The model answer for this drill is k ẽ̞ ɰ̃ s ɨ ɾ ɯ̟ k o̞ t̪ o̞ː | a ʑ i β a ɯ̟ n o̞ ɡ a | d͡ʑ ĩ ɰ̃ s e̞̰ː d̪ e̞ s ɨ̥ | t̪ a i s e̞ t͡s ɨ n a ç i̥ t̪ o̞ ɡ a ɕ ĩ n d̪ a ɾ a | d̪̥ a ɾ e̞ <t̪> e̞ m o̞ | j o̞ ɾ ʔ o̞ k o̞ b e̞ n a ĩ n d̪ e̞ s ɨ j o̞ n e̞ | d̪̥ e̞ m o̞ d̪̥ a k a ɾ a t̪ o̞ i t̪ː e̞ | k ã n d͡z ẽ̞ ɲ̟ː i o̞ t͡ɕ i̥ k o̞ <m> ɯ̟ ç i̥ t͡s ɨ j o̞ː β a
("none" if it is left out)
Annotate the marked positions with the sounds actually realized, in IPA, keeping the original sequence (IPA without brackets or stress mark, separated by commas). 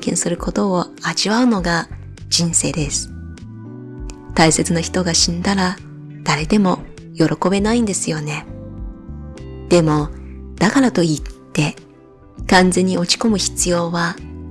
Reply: d̪, m